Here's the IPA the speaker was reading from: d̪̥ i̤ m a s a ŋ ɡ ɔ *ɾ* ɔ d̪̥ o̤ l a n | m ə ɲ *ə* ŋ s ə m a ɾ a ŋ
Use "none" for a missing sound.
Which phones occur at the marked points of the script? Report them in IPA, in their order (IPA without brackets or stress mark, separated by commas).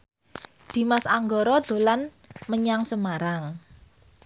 ɾ, a